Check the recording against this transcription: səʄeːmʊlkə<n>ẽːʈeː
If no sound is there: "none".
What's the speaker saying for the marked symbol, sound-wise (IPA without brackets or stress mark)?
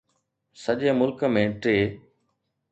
m